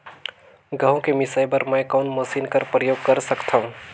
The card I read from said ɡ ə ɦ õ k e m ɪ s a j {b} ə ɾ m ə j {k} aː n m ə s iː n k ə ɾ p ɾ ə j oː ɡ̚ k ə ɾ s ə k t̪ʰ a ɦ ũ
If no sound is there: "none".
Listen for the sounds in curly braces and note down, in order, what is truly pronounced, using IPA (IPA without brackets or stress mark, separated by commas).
b, k